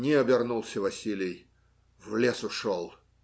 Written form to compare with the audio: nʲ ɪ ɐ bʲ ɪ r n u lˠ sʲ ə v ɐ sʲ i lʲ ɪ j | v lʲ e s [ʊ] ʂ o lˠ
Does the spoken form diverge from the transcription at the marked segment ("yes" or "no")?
no